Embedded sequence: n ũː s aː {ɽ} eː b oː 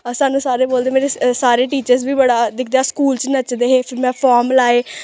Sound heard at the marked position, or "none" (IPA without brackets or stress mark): ɾ